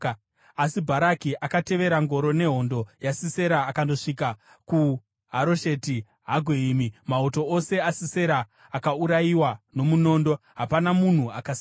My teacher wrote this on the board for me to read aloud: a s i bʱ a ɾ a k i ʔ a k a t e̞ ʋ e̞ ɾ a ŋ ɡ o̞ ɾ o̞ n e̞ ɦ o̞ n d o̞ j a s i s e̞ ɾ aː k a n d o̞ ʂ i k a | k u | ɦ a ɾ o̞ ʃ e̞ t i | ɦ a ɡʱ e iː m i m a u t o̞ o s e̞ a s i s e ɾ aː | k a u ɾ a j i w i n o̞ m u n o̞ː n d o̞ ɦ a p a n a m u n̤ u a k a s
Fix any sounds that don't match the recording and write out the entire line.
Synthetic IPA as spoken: a s i bʱ a ɾ a k i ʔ a k a t e̞ ʋ e̞ ɾ a ŋ ɡ o̞ ɾ o̞ n e̞ ɦ o̞ n d o̞ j a s i s e̞ ɾ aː k a n d o̞ ʂ i k a | k u | ɦ a ɾ o̞ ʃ e̞ t i | ɦ a ɡʱ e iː m i m a u t o̞ o s e̞ a s i s e ɾ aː | k a u ɾ a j i w a n o̞ m u n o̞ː n d o̞ ɦ a p a n a m u n̤ u a k a s